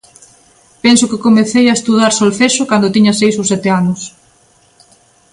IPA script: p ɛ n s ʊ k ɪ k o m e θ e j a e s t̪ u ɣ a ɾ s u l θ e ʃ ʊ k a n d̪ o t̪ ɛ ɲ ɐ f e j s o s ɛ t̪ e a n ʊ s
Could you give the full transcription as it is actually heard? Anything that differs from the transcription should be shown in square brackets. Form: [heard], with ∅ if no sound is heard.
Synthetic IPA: p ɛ n s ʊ k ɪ k o m e θ e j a e s t̪ u [ð] a ɾ s [o] l θ e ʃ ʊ k a n d̪ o t̪ [i] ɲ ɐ [s] e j s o s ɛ t̪ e a n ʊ s